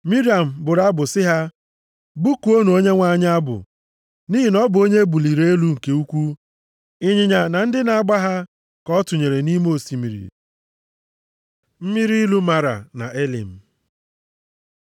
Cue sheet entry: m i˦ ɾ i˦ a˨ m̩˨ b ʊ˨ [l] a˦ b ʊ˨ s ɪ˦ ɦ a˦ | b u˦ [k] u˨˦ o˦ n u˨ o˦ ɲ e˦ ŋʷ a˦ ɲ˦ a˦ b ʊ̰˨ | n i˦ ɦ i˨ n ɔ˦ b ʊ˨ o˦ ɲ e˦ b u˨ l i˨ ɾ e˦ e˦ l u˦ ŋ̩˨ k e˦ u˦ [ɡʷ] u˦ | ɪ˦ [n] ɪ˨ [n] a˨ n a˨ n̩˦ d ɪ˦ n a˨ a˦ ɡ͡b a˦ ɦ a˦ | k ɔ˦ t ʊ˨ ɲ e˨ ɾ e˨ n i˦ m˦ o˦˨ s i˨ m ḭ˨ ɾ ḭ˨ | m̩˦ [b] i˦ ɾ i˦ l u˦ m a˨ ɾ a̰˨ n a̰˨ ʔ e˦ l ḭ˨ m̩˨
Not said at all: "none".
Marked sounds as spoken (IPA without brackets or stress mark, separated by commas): ɾ, k, kʷ, ɲ, ɲ, m